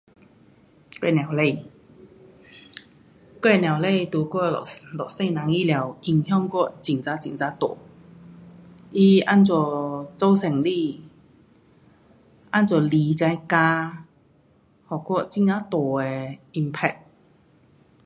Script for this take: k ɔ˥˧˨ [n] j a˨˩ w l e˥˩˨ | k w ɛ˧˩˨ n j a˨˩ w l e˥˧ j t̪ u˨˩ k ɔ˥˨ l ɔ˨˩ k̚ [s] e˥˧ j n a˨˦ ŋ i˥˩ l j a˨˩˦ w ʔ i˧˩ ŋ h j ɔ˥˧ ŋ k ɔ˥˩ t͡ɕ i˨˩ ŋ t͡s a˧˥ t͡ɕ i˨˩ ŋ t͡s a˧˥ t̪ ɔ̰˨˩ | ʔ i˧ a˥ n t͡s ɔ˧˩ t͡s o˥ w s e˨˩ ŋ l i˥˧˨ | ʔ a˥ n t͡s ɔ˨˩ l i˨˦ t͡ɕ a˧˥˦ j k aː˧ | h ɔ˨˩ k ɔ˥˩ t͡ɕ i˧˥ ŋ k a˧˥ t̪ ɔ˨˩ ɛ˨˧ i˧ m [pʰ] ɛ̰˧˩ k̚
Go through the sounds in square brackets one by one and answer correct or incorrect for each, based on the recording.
correct, correct, correct

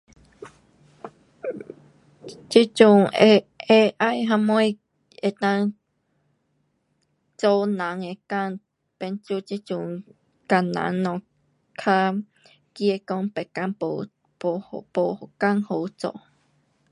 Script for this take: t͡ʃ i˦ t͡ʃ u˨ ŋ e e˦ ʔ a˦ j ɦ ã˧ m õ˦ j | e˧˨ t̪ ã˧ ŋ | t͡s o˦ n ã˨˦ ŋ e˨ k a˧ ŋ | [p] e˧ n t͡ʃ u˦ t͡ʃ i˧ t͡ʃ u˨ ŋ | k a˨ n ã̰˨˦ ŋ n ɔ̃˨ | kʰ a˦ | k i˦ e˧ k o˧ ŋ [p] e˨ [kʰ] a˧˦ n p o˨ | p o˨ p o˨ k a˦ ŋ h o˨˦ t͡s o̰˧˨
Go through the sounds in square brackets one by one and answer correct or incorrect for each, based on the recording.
correct, correct, incorrect

